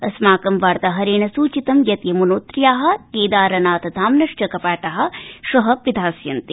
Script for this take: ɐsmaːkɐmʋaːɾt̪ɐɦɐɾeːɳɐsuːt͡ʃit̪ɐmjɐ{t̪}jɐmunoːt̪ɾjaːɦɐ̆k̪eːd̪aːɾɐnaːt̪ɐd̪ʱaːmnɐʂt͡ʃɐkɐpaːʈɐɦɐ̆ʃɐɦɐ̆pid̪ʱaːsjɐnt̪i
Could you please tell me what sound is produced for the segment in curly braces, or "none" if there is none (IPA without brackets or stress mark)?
t̪